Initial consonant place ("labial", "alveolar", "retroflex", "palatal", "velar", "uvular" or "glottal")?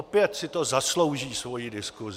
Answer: labial